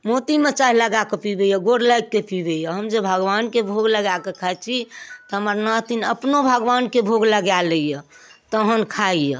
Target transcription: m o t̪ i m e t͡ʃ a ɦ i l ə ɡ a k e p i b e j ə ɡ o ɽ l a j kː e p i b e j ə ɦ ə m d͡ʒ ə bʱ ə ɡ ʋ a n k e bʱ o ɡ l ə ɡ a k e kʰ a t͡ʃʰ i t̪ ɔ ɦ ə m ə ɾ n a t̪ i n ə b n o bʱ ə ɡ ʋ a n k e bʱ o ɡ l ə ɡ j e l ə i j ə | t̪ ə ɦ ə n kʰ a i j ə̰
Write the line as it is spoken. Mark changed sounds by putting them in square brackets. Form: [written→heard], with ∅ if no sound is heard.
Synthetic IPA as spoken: m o t̪ i m e t͡ʃ a ɦ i l ə ɡ a k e p i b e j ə ɡ o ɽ l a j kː e p i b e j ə ɦ ə m d͡ʒ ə bʱ ə ɡ ʋ a n k e bʱ o ɡ l ə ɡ a k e kʰ a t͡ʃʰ i t̪ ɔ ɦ ə m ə ɾ n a t̪ i n ə [b→p] n o bʱ ə ɡ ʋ a n k e bʱ o ɡ l ə ɡ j [e→a] l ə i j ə | t̪ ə ɦ ə n kʰ a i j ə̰